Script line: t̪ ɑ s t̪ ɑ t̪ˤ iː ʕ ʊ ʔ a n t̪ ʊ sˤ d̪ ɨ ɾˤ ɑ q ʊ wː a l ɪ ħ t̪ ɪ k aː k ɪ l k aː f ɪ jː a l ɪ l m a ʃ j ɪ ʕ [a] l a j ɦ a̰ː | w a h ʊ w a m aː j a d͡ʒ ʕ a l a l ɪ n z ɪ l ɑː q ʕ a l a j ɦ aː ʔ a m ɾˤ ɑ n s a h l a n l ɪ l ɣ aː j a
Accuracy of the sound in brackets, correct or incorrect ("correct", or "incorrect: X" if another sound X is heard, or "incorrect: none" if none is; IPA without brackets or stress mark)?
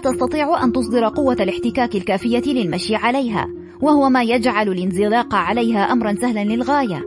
correct